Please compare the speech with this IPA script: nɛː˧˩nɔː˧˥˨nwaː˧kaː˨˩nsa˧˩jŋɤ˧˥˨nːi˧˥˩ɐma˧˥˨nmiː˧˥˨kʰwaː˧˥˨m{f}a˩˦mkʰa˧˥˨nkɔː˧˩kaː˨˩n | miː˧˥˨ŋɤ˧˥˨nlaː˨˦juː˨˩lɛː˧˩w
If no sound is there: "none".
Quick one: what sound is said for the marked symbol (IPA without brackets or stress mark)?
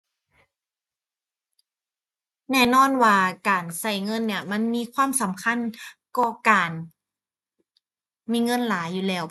s